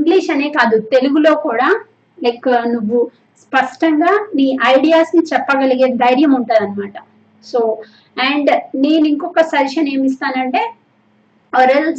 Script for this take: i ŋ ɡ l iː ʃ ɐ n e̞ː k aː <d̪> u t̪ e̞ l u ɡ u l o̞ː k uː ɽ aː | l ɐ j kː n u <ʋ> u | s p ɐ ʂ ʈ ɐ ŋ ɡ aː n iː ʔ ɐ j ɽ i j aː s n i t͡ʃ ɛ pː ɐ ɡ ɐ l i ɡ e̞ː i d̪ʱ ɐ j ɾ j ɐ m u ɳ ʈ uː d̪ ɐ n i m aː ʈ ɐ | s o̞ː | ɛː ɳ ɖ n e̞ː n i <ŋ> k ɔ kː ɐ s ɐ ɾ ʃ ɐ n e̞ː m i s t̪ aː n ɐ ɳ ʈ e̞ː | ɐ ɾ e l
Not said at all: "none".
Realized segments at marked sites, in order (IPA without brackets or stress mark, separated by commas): d̪, ʋː, ŋ